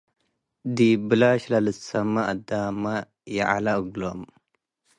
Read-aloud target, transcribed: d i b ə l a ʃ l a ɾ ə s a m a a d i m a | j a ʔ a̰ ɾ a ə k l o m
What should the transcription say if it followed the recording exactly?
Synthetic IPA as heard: d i b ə l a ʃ l a l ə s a m a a d a m a | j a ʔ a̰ l a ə ɡ l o m